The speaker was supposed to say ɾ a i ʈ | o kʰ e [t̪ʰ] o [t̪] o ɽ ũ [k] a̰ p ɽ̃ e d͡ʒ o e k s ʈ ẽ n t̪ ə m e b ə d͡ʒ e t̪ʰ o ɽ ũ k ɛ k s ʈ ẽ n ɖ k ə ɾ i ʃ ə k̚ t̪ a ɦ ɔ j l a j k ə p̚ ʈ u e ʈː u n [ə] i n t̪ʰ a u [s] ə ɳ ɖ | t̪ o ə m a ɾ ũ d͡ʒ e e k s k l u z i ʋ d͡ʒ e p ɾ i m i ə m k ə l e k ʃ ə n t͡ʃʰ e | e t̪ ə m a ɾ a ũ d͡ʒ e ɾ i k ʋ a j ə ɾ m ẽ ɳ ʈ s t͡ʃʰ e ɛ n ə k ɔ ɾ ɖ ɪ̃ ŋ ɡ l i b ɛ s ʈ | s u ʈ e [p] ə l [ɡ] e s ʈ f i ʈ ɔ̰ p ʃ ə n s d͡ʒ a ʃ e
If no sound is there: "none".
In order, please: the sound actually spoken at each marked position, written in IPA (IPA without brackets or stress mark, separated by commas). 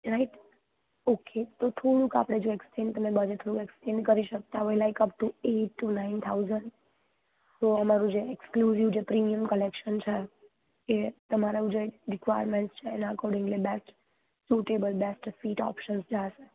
t̪, t̪ʰ, k, a, z, b, b